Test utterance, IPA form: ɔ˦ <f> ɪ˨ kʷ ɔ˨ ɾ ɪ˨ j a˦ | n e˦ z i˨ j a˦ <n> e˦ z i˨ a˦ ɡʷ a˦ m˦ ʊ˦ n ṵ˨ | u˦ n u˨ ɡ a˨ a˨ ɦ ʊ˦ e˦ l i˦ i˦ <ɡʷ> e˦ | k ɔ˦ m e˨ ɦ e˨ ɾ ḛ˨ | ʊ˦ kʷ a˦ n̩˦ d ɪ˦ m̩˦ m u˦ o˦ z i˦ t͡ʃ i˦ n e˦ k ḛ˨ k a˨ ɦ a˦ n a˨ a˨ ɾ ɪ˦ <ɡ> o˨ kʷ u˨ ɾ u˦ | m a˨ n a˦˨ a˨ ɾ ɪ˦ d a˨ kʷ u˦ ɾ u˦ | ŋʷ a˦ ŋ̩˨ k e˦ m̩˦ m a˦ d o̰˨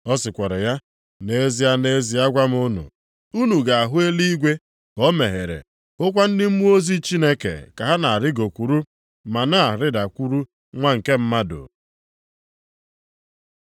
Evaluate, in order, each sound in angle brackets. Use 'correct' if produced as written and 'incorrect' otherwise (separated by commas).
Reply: incorrect, correct, correct, correct